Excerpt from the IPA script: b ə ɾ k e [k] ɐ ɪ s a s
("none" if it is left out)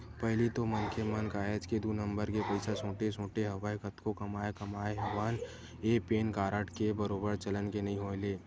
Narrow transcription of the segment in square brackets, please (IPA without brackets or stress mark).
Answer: p